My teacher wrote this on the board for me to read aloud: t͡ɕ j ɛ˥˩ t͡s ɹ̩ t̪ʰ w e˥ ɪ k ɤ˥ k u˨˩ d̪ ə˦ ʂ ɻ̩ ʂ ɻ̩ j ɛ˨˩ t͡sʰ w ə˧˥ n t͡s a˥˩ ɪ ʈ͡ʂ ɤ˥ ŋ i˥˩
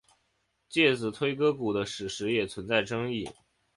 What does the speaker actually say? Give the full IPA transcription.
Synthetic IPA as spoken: t͡ɕ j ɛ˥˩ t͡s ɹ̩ t̪ʰ w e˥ ɪ k ɤ˥ k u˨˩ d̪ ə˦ ʂ ɻ̩ ʂ ɻ̩ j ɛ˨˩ t͡sʰ w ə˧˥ n t͡s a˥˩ ɪ ʈ͡ʂ ɤ˥ ŋ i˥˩